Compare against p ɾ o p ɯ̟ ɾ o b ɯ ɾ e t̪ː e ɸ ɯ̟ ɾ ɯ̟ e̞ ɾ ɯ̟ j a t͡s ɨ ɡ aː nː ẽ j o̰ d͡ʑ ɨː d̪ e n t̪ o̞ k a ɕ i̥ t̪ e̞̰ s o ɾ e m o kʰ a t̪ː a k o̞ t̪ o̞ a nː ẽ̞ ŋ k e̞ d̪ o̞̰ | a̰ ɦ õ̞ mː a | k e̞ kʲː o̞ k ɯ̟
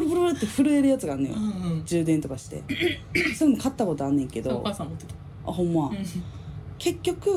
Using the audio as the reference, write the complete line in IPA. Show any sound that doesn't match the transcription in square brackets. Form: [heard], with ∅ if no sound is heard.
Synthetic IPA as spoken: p ɾ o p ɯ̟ ɾ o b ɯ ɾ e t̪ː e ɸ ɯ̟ ɾ ɯ̟ e̞ ɾ ɯ̟ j a t͡s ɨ ɡ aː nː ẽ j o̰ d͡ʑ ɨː d̪ e n t̪ o̞ k a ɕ i̥ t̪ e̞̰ s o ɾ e m o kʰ a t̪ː a k o̞ t̪ o̞ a nː ẽ̞ ŋ k e̞ d̪ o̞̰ | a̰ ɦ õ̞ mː a | k e̞ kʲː o̞ k ɯ̟